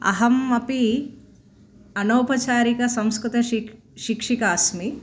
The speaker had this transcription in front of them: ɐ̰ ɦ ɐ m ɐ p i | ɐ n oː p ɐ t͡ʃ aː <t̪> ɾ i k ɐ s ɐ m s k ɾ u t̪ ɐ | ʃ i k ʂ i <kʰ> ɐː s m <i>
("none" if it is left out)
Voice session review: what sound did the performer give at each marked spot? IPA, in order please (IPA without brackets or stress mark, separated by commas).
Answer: none, k, i